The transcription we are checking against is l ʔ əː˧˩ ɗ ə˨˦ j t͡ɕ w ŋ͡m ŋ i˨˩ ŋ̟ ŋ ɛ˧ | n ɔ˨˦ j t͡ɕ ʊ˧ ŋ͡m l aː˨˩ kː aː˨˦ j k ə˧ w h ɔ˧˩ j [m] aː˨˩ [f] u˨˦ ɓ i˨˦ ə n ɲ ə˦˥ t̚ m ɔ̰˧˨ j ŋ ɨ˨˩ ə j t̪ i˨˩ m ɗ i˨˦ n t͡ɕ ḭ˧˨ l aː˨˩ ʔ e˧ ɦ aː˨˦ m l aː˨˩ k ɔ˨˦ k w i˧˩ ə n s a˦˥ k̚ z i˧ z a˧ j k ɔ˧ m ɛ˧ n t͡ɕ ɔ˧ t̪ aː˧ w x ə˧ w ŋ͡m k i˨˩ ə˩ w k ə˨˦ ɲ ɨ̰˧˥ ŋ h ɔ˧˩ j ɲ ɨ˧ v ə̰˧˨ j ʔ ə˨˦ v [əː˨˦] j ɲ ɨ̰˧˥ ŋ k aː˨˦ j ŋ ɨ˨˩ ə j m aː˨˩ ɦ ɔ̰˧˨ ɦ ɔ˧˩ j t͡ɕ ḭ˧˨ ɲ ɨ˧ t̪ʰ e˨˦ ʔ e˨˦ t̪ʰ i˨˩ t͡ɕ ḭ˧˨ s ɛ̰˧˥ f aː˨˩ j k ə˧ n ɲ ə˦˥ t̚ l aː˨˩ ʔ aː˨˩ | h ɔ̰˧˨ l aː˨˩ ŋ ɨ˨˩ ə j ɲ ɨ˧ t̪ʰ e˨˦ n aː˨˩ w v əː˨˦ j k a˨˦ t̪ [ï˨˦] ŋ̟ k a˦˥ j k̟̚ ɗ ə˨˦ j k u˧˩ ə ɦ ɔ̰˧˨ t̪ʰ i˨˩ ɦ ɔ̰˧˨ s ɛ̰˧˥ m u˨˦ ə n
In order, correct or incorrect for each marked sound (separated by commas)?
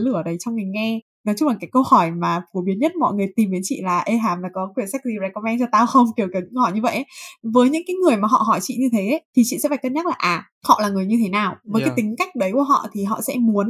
correct, correct, correct, correct